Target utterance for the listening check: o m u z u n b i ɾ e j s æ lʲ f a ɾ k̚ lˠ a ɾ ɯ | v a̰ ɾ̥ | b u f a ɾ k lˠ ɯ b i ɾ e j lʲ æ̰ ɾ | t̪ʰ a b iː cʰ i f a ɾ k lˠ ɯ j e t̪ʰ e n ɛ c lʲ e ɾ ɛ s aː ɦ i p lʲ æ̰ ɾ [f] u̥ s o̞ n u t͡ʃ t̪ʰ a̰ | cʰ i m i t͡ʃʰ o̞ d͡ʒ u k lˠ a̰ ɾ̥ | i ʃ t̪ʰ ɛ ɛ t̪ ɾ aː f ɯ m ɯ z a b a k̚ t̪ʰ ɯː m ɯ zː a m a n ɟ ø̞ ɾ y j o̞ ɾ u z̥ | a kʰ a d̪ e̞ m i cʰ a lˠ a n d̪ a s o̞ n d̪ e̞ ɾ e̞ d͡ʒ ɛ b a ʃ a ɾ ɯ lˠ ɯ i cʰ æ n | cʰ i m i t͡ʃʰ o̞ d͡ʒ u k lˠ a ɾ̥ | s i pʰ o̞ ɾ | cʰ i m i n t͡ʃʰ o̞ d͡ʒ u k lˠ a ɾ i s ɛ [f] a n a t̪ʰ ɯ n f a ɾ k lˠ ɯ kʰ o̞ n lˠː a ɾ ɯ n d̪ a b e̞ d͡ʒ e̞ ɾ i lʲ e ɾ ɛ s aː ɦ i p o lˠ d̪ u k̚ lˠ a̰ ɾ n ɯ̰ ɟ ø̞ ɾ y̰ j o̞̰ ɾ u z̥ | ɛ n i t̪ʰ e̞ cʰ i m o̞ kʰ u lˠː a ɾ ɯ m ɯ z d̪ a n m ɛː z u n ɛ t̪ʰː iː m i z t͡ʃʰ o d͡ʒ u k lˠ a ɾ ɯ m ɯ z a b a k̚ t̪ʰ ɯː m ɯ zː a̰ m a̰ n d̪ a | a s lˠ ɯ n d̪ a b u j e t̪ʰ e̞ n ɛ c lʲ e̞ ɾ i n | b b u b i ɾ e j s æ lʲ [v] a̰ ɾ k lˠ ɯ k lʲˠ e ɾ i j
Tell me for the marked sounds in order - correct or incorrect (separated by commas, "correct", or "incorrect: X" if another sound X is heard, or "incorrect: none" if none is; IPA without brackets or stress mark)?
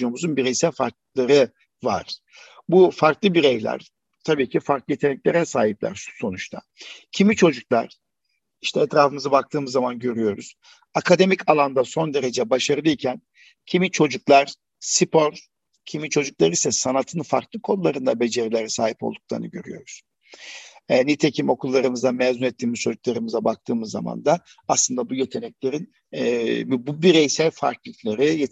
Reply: incorrect: ʃ, incorrect: s, incorrect: f